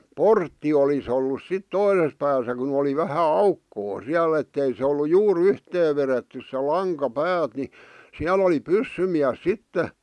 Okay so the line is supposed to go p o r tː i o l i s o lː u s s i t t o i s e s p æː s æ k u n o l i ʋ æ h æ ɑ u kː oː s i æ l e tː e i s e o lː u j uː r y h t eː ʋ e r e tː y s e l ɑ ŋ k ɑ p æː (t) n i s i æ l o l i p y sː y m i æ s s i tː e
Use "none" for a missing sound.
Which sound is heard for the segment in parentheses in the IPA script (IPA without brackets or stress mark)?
t